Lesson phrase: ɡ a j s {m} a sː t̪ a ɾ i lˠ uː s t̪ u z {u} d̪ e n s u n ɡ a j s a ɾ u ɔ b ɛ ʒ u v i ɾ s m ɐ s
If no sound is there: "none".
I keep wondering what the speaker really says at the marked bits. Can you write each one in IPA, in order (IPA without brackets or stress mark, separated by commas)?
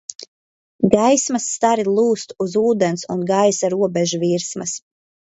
m, uː